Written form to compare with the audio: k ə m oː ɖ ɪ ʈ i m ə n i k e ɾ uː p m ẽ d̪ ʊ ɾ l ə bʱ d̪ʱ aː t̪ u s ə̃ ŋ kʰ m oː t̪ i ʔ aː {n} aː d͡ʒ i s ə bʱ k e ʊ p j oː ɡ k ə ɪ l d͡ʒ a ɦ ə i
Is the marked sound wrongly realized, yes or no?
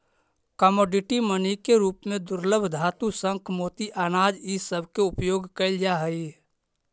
no